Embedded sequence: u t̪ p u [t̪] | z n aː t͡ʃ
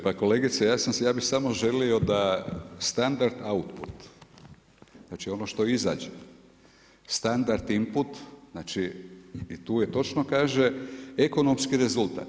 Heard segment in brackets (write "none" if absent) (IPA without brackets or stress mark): t̪